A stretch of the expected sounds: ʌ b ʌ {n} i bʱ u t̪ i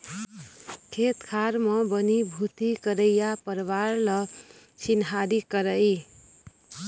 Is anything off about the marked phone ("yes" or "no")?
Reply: no